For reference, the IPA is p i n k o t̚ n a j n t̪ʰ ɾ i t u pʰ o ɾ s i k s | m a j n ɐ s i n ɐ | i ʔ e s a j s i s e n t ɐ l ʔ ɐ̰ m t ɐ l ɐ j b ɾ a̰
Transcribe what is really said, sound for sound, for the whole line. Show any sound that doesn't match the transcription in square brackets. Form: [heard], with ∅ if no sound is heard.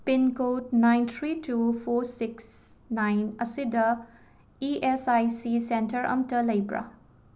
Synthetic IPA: p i n k o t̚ n a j n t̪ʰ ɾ i t u pʰ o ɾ s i k s | [n] a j n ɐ s i [d] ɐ | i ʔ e s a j s i s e n t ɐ [ɾ] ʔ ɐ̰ m t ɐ l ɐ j b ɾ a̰